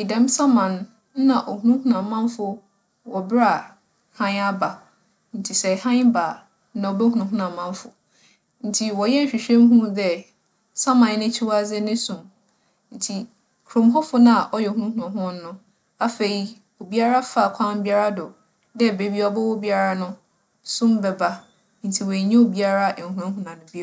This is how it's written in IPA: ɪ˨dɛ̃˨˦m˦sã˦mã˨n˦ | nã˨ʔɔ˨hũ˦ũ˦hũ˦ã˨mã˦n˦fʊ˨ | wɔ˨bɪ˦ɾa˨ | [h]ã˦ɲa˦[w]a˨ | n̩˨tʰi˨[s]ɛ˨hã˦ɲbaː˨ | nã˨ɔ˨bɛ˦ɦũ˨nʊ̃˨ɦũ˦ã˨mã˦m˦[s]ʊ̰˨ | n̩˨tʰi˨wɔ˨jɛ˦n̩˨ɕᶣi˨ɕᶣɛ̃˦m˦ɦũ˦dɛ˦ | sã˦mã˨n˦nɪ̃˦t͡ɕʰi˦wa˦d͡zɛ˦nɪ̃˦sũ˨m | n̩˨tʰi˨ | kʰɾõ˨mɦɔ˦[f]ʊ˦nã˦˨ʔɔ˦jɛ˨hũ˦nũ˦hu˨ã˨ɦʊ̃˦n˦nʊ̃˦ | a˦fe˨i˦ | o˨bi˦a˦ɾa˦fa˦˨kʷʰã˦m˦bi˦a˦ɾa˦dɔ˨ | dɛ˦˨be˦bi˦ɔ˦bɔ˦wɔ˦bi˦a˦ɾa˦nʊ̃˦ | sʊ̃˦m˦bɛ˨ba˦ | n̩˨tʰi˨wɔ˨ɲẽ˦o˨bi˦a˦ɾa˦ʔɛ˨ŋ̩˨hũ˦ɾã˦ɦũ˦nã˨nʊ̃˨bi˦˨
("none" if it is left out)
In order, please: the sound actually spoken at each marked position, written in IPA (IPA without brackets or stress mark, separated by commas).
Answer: h, b, s, f, f